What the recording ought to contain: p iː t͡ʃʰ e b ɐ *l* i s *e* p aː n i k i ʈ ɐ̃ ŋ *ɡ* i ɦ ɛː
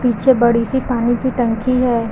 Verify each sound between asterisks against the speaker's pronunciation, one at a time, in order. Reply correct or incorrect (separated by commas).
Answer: incorrect, incorrect, incorrect